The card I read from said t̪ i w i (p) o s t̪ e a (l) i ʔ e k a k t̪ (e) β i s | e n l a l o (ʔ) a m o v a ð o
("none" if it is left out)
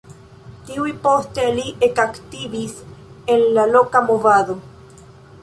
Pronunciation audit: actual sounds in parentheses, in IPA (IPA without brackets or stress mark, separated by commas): p, l, i, k